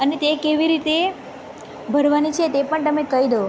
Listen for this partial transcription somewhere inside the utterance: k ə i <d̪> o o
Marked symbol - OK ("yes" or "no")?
yes